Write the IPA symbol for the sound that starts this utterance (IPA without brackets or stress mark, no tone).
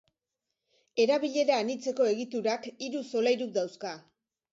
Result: e̞